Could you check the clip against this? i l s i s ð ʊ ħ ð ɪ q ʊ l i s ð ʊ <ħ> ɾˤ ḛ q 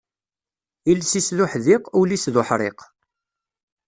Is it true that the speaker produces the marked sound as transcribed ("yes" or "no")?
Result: yes